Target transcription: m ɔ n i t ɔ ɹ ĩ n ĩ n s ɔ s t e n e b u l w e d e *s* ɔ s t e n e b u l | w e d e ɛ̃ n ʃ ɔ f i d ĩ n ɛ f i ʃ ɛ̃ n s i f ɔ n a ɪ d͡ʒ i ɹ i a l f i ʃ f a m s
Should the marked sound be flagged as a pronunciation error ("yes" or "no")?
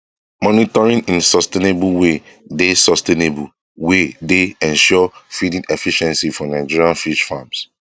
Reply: no